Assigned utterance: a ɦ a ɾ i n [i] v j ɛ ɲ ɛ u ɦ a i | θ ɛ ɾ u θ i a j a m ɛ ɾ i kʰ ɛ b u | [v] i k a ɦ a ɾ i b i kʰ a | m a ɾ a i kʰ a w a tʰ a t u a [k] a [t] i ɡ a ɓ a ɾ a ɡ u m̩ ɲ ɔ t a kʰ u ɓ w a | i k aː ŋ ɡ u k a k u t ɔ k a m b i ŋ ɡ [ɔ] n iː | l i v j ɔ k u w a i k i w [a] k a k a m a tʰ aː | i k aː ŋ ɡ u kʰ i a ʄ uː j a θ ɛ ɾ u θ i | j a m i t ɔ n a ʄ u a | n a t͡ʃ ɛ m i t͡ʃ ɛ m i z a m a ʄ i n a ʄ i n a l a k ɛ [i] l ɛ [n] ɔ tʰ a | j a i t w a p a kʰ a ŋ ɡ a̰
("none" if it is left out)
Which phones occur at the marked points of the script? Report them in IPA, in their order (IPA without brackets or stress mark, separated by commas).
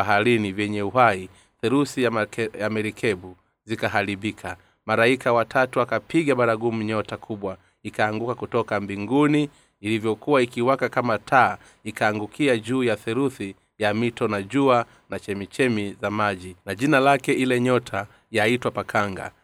i, z, k, p, u, a, i, ɲ